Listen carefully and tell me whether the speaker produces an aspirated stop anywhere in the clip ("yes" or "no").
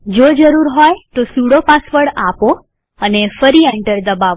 no